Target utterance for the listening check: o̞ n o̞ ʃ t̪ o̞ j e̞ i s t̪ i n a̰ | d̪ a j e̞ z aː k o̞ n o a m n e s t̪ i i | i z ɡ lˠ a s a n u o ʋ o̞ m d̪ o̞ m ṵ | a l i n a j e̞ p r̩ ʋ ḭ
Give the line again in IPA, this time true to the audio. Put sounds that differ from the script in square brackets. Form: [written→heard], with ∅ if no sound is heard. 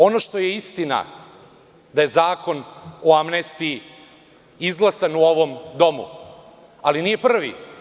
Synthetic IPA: o̞ n o̞ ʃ t̪ o̞ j e̞ i s t̪ i n a̰ | d̪ a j e̞ z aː k o̞ n o a m n e s t̪ i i | i z ɡ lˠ a s a n u o ʋ o̞ m d̪ o̞ m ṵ | a l i n [a→i] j e̞ p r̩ ʋ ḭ

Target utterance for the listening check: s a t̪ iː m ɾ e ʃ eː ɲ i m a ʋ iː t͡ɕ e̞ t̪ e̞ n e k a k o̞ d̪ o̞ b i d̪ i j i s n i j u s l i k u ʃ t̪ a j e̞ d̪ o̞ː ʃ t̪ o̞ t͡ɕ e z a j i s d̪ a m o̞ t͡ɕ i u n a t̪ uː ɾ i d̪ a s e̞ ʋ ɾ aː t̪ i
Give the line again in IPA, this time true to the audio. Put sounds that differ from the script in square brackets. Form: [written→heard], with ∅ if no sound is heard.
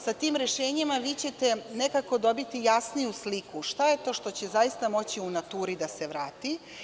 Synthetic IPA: s a t̪ iː m ɾ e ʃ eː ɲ i m a ʋ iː t͡ɕ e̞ t̪ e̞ n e k a k o̞ d̪ o̞ b i [d̪→t̪] i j [i→a] s n i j u s l i k u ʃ t̪ a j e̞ [d̪→t̪] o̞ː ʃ t̪ o̞ t͡ɕ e z a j i s [d̪→t̪] a m o̞ t͡ɕ i u n a t̪ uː ɾ i d̪ a s e̞ ʋ ɾ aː t̪ i

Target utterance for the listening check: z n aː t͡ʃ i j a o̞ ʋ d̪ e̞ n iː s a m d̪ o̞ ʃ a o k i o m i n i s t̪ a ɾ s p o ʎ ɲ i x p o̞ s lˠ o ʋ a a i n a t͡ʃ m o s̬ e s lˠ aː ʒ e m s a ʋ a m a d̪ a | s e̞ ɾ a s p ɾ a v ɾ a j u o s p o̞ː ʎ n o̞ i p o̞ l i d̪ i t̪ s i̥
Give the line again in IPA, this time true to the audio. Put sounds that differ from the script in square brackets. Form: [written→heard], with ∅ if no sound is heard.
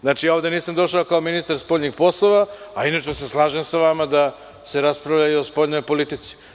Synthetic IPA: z n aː t͡ʃ i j a o̞ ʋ d̪ e̞ n iː s a m d̪ o̞ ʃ a o k [i→a] o m i n i s t̪ a ɾ s p o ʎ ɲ i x p o̞ s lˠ o ʋ a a i n a t͡ʃ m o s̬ e s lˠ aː ʒ e m s a ʋ a m a d̪ a | s e̞ ɾ a s p ɾ a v [ɾ→ʎ] a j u o s p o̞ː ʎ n o̞ [i→j] p o̞ l i [d̪→t̪] i t̪ s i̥

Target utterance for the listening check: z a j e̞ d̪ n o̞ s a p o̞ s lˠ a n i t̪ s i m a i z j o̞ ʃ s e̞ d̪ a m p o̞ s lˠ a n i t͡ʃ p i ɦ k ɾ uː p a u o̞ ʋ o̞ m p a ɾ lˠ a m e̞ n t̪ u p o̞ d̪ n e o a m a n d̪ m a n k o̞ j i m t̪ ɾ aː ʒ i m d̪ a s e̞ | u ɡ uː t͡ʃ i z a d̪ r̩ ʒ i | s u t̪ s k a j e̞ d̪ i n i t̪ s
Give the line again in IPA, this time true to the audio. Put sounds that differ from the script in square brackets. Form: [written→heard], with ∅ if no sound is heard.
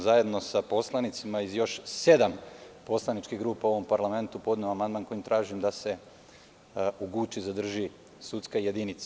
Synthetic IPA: z a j e̞ d̪ n o̞ s a p o̞ s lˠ a n i t̪ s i m a i z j o̞ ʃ s e̞ d̪ a m p o̞ s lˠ a n i t͡ʃ [p→k] i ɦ [k→ɡ] ɾ uː p a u o̞ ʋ o̞ m p a ɾ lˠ a m e̞ n t̪ u p o̞ d̪ n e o a m a n d̪ m a n k o̞ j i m t̪ ɾ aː ʒ i m d̪ a s e̞ | u ɡ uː t͡ʃ i z a d̪ r̩ ʒ i | s u t̪ s k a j e̞ d̪ i n i t̪ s

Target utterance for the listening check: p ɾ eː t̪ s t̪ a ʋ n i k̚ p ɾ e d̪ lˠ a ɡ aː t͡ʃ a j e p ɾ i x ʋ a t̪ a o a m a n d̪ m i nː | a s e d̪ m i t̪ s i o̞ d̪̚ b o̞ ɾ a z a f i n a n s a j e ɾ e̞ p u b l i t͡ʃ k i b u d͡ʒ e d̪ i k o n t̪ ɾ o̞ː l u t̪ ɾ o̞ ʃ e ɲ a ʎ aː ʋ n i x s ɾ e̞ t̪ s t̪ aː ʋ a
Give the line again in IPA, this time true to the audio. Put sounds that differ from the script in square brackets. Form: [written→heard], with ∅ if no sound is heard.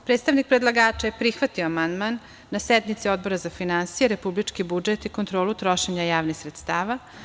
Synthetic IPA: p ɾ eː t̪ s t̪ a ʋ n i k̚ p ɾ e d̪ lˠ a ɡ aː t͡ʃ a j e p ɾ i x ʋ a t̪ [a→i] o a m a n d̪ m [i→a] nː | a s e d̪ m i t̪ s i o̞ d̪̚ b o̞ ɾ a z a f i n a n s [a→i] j e ɾ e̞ p u b l i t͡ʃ k i b u d͡ʒ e [d̪→t̪] i k o n t̪ ɾ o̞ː l u t̪ ɾ o̞ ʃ e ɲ a [ʎ→j] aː ʋ n i x s ɾ e̞ t̪ s t̪ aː ʋ a

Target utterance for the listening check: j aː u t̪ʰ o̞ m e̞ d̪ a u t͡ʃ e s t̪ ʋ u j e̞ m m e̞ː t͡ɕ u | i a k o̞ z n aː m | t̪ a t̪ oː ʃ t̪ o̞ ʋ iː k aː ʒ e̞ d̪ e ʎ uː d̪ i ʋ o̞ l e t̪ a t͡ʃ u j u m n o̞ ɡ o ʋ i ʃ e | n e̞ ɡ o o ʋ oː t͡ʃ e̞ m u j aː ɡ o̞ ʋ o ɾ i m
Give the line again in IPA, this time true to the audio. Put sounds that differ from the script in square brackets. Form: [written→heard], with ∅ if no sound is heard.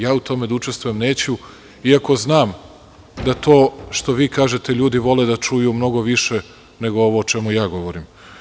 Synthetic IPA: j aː u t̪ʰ o̞ m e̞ d̪ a u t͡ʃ e s t̪ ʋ u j e̞ m [m→n] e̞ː t͡ɕ u | i a k o̞ z n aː m | [t̪→d̪] a t̪ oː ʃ t̪ o̞ ʋ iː k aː ʒ e̞ [d̪→t̪] e ʎ uː d̪ i ʋ o̞ l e [t̪→d̪] a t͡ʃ u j u m n o̞ ɡ o ʋ i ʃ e | n e̞ ɡ o o ʋ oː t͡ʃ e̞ m u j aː ɡ o̞ ʋ o ɾ i m

